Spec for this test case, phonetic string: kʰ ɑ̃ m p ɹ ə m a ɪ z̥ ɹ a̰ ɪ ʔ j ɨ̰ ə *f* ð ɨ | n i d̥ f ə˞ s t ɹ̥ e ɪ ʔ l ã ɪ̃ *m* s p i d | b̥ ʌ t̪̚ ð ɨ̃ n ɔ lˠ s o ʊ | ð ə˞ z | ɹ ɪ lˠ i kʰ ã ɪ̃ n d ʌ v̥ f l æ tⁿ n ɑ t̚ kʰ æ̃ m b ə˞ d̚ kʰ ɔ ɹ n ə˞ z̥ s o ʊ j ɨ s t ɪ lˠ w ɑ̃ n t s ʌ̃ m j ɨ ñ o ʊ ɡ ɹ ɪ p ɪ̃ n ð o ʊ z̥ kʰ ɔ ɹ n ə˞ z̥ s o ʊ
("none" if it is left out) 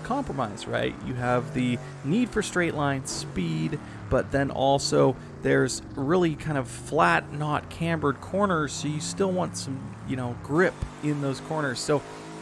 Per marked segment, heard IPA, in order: v, n

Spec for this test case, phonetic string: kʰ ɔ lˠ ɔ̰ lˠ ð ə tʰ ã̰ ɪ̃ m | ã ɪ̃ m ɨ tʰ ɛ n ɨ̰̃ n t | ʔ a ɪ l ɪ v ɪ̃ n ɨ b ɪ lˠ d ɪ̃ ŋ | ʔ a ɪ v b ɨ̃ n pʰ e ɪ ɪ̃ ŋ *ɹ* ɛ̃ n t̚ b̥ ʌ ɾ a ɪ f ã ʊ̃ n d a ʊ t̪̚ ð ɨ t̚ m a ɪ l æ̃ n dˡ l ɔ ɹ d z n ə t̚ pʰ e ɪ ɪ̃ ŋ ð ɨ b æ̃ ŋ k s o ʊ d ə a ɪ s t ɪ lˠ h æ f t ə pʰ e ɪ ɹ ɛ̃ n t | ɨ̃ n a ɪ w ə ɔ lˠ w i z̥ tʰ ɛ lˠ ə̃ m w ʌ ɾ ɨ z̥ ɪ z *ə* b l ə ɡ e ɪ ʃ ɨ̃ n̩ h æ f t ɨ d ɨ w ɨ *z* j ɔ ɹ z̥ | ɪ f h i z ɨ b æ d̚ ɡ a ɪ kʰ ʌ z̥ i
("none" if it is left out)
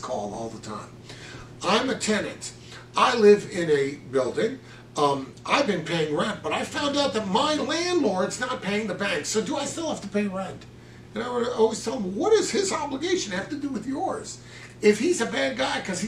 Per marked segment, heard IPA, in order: ɹ, ɑ, ð

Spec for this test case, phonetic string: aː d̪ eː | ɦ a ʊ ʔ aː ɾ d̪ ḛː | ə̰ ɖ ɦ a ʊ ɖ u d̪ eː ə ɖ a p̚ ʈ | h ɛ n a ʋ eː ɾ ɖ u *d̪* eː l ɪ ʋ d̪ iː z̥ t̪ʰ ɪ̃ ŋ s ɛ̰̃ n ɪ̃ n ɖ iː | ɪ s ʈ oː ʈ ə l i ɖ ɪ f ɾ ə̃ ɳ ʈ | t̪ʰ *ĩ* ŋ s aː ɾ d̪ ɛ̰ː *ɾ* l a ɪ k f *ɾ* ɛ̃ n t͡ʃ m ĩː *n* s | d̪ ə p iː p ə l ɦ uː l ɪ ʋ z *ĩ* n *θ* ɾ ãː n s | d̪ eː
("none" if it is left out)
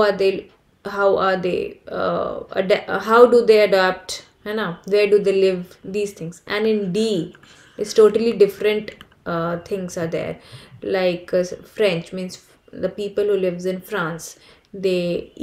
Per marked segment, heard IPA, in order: d̪, ɪ̃, ɾ, ɾ, n, ɪ̃, f

